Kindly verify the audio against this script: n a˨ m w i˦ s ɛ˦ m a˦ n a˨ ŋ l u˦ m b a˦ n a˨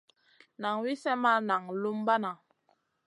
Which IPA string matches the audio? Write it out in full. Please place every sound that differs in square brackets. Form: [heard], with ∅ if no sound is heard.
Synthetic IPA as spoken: n a˨ [ŋ] w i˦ s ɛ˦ m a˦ n a˨ ŋ l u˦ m b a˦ n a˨